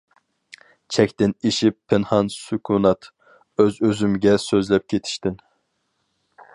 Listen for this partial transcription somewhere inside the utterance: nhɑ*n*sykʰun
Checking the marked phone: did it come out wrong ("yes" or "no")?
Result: no